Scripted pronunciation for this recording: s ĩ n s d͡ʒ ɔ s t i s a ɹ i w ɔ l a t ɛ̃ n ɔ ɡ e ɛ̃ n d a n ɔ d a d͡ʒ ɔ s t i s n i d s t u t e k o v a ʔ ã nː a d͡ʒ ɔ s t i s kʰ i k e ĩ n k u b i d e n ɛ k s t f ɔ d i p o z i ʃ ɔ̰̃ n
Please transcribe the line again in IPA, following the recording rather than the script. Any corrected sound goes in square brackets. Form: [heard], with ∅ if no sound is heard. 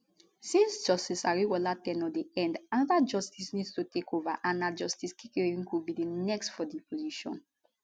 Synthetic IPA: s ĩ n s d͡ʒ ɔ s t i s a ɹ i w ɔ l a t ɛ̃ n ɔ [d] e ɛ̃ n d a n ɔ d a d͡ʒ ɔ s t i s n i d s t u t e k o v a ʔ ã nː a d͡ʒ ɔ s t i s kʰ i k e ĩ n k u b i d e n ɛ k s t f ɔ d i p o z i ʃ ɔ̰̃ n